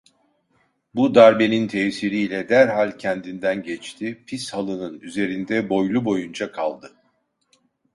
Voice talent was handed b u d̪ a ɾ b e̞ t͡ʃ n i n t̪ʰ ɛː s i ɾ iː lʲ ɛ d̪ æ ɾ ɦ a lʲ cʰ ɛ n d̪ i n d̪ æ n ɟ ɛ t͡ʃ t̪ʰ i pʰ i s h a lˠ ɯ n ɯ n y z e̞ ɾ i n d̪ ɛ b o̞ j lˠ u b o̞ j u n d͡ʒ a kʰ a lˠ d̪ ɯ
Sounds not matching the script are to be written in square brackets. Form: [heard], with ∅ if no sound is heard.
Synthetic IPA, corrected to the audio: b u d̪ a ɾ b e̞ [∅] n i n t̪ʰ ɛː s i ɾ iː lʲ ɛ d̪ æ ɾ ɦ a lʲ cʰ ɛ n d̪ i n d̪ æ n ɟ ɛ t͡ʃ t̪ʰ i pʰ i s h a lˠ ɯ n ɯ n y z e̞ ɾ i n d̪ ɛ b o̞ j lˠ u b o̞ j u n d͡ʒ a kʰ a lˠ d̪ ɯ